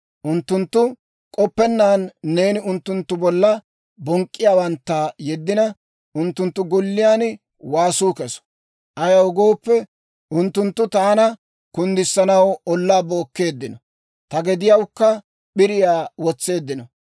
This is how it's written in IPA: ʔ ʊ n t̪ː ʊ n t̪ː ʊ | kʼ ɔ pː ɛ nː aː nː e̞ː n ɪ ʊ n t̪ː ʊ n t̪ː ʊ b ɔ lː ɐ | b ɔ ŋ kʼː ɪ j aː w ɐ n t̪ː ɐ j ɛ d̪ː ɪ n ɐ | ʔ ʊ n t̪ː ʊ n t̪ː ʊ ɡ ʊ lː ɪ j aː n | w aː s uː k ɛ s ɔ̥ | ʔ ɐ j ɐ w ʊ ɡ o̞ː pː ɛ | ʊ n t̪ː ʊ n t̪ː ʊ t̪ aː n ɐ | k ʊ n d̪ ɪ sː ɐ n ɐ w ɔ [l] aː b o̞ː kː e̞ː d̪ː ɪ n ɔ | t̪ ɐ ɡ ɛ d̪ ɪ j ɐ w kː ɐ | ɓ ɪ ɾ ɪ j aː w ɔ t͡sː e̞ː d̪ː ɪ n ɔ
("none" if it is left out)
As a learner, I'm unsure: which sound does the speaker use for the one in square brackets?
lː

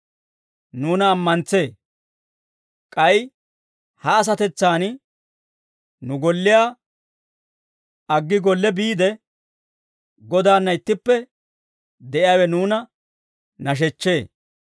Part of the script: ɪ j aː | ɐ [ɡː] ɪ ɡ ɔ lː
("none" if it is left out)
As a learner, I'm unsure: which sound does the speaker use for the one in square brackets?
ɡː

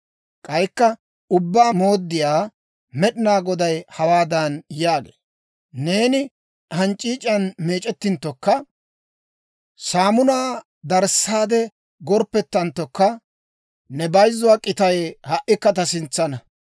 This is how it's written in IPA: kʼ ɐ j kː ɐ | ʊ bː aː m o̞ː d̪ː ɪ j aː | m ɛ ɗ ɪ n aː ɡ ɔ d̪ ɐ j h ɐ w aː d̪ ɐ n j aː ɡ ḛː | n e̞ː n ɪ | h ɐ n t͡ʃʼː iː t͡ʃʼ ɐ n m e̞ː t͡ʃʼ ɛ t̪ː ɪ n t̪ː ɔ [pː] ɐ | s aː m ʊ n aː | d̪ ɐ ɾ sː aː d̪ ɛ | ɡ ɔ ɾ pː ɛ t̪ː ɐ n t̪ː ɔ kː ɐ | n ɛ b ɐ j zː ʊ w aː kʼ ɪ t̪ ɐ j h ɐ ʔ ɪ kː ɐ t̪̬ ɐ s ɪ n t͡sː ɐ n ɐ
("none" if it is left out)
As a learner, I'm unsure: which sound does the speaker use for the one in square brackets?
kː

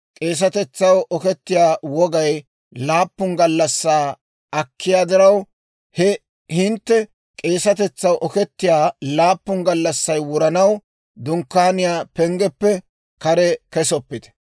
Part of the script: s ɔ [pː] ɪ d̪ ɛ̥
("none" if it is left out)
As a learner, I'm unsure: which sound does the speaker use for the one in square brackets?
pː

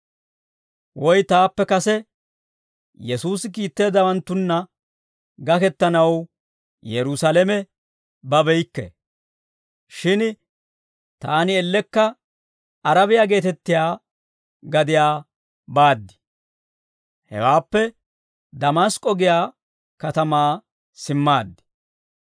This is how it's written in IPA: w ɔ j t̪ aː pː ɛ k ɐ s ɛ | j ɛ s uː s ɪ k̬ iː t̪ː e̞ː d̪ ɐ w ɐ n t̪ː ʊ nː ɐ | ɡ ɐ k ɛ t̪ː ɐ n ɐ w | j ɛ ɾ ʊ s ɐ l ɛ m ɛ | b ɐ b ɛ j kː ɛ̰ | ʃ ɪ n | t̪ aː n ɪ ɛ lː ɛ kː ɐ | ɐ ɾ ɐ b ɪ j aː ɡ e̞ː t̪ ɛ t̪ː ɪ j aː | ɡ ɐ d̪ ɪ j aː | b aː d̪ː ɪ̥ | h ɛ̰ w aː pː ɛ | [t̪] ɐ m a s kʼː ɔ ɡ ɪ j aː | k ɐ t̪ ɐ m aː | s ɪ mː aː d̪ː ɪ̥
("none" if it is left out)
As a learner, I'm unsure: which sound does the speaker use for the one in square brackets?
d̪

